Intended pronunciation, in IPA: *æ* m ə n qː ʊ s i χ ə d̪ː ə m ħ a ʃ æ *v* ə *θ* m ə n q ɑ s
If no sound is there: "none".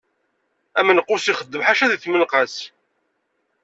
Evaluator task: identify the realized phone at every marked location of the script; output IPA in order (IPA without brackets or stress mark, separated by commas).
æ, ð, θ